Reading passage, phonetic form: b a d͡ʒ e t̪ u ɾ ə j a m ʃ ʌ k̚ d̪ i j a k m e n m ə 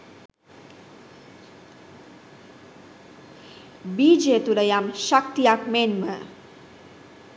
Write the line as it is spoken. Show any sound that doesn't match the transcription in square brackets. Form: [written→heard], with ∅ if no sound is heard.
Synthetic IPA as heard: b [a→i] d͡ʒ e t̪ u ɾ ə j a m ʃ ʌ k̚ [d̪→t̪] i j a k m e n m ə